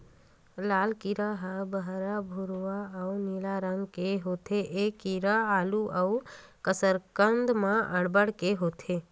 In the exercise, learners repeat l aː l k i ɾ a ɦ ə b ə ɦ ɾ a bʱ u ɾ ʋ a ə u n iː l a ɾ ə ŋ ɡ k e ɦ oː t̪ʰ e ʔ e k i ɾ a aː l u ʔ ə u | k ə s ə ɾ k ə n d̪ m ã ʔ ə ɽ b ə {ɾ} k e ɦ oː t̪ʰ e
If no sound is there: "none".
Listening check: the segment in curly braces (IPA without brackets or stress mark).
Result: ɽ